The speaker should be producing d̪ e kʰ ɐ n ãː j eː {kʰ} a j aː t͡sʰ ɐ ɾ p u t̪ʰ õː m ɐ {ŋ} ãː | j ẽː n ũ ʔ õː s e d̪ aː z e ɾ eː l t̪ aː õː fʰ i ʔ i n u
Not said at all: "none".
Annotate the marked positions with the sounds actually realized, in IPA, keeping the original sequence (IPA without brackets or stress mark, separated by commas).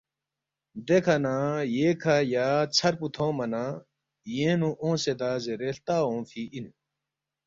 kʰ, n